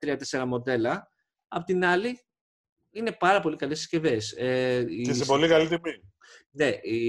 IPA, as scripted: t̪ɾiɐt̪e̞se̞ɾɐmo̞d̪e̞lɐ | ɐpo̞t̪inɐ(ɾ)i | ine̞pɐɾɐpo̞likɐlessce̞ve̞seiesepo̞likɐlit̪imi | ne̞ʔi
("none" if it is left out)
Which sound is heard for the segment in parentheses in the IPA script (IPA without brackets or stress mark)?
l